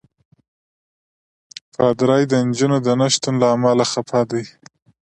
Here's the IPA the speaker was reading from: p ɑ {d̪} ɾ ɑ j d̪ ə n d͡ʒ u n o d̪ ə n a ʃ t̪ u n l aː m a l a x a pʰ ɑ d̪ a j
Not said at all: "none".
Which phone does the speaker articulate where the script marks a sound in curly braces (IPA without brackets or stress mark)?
d̪